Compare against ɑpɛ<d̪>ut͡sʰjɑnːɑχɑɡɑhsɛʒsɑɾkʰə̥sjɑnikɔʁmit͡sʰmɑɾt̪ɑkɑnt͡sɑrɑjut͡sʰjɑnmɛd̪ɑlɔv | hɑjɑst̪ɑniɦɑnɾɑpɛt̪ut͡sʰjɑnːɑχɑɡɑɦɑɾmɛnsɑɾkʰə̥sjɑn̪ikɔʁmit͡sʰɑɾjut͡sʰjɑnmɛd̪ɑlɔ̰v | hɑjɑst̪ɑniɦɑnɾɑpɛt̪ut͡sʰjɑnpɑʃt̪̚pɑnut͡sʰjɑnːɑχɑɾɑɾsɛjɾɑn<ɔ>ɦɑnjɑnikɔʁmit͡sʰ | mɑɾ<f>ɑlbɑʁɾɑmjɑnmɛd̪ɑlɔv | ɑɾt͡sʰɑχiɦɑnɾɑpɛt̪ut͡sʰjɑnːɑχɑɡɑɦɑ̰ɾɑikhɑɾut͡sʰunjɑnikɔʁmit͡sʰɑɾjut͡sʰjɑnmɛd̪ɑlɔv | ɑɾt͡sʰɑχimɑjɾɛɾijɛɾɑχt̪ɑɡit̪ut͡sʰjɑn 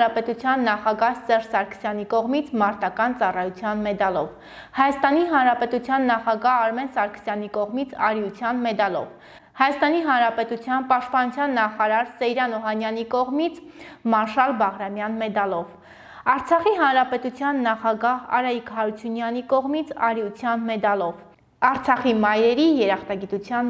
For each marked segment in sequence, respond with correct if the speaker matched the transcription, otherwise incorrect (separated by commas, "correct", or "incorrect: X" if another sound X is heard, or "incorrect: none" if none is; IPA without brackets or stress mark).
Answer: incorrect: t̪, correct, incorrect: ʃ